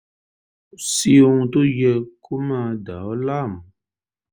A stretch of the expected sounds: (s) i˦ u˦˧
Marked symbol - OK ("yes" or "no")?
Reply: yes